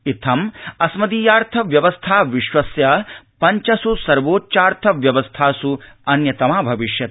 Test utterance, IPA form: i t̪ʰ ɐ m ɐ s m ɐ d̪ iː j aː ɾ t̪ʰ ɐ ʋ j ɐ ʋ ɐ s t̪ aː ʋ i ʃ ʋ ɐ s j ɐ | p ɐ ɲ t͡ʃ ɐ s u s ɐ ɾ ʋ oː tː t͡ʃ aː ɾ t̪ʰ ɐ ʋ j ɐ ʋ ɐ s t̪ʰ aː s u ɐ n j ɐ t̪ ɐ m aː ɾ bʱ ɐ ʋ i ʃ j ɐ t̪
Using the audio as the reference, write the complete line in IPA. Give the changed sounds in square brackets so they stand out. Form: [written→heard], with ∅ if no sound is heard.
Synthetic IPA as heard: i t̪ʰ ɐ m ɐ s m ɐ d̪ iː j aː ɾ t̪ʰ ɐ ʋ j ɐ ʋ ɐ s [t̪→t̪ʰ] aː ʋ i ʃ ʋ ɐ s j ɐ | p ɐ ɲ t͡ʃ ɐ s u s ɐ ɾ ʋ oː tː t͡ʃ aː ɾ t̪ʰ ɐ ʋ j ɐ ʋ ɐ s t̪ʰ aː s u ɐ n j ɐ t̪ ɐ m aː [ɾ→∅] bʱ ɐ ʋ i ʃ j ɐ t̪